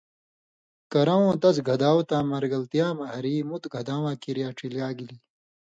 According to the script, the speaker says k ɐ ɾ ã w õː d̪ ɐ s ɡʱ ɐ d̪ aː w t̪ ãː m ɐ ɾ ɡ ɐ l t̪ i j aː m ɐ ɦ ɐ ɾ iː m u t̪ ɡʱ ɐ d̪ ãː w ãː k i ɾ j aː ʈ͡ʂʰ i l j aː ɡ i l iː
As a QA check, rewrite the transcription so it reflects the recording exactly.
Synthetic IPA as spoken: k ɐ ɾ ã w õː t̪ ɐ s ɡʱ ɐ d̪ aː w t̪ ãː m ɐ ɾ ɡ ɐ l t̪ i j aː m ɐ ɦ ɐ ɾ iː m u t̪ ɡʱ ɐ d̪ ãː w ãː k i ɾ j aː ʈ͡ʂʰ i l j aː ɡ i l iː